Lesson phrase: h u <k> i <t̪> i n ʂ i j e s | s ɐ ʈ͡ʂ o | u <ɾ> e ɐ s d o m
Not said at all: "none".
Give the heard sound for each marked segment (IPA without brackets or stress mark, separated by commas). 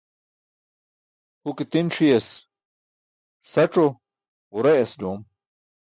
k, t̪, ɾ